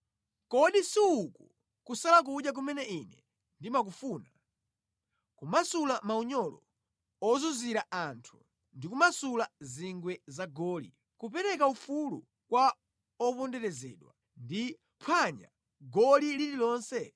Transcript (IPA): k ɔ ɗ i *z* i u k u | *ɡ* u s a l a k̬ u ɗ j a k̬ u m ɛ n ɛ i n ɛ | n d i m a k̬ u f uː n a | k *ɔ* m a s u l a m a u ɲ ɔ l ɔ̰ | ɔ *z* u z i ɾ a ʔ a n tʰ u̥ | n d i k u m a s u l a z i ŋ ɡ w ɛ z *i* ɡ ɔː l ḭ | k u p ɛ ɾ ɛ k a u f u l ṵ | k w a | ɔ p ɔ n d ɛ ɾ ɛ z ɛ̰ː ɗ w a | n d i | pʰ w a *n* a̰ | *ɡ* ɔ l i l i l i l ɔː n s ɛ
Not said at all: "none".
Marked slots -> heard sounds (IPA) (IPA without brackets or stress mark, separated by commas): s, k, u, z, a, ɲ, ɡ